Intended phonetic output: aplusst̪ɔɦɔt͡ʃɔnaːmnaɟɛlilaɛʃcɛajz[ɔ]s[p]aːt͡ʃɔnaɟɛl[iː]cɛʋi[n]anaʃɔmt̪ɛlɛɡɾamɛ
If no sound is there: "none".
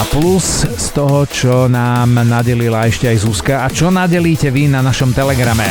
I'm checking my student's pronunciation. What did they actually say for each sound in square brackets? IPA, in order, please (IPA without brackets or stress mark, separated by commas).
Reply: u, k, iː, n